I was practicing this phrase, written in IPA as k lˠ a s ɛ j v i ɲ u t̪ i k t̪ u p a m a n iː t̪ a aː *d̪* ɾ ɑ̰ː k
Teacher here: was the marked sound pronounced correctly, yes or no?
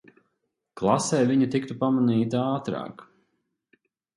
no